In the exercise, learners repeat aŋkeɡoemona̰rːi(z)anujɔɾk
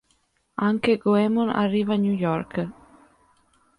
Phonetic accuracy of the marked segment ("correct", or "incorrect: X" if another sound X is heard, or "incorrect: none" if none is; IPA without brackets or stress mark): incorrect: v